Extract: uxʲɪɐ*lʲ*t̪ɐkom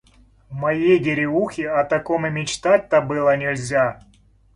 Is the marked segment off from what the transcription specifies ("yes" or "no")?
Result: yes